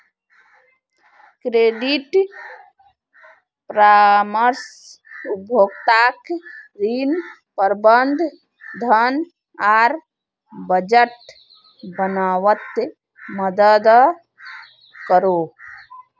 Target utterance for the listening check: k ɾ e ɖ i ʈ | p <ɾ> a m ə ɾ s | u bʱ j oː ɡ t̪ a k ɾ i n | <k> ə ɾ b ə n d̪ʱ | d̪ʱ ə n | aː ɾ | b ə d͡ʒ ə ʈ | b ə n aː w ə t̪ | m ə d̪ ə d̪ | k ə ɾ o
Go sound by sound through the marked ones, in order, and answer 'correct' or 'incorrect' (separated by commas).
correct, incorrect